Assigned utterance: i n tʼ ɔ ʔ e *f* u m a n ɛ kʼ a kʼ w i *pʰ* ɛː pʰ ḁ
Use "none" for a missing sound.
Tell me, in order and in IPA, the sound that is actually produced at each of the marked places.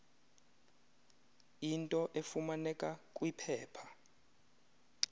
f, pʰ

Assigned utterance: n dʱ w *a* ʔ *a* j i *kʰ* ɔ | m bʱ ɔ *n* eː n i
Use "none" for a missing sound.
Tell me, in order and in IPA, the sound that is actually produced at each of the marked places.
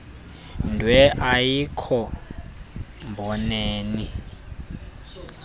ɛ, a, kʰ, n

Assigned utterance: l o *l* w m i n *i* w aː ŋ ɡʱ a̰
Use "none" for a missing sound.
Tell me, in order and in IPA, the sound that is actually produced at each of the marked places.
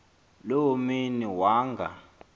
none, i

